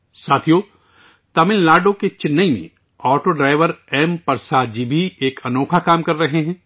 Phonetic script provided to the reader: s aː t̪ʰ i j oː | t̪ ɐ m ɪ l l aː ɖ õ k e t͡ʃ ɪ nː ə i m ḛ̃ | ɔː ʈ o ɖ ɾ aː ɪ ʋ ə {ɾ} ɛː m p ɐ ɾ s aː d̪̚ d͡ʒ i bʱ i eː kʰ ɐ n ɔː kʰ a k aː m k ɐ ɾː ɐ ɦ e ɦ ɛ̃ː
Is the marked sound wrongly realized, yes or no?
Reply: no